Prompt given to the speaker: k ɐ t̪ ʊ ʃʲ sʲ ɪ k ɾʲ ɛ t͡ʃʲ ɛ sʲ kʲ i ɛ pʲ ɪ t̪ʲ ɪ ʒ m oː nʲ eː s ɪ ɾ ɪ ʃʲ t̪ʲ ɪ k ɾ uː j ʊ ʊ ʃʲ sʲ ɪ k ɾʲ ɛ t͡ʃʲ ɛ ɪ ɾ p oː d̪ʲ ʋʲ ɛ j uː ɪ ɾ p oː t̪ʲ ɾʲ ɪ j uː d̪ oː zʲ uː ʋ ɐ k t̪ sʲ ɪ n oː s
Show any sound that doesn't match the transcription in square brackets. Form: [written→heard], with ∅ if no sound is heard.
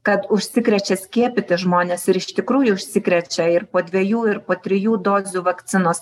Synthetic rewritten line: k ɐ t̪ ʊ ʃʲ sʲ ɪ k ɾʲ ɛ t͡ʃʲ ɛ sʲ kʲ i ɛ pʲ ɪ t̪ʲ ɪ ʒ m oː nʲ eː s ɪ ɾ ɪ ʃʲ t̪ʲ ɪ k ɾ uː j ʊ ʊ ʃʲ sʲ ɪ k ɾʲ ɛ t͡ʃʲ ɛ ɪ ɾ p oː d̪ʲ ʋʲ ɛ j uː ɪ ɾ p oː t̪ʲ ɾʲ ɪ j uː d̪ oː zʲ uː ʋ ɐ k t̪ sʲ ɪ n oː s